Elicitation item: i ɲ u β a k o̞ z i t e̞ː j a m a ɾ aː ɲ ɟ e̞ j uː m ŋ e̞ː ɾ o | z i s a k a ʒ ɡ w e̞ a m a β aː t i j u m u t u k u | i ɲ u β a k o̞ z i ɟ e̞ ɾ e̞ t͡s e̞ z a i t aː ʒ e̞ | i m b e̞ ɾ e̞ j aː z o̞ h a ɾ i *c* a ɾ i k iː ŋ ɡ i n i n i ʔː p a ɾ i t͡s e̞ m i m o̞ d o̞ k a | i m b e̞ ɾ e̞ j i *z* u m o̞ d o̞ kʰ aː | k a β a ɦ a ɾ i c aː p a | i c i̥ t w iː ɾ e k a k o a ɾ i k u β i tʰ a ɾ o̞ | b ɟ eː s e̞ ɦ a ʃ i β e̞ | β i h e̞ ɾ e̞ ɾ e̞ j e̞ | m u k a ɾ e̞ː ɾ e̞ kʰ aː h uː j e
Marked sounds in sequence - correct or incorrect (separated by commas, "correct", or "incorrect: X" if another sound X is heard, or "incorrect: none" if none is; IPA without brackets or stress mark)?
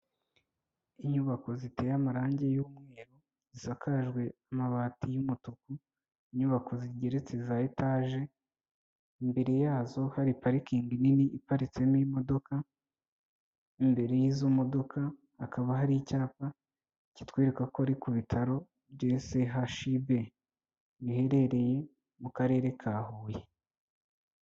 incorrect: p, correct